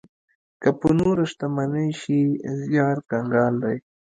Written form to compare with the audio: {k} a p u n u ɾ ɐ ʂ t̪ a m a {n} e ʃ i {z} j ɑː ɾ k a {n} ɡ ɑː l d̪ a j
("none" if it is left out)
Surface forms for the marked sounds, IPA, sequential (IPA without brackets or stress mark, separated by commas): k, n, z, ŋ